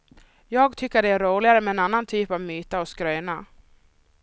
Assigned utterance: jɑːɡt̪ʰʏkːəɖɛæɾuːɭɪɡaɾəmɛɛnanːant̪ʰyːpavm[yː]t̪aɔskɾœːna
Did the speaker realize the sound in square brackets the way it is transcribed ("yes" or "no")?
yes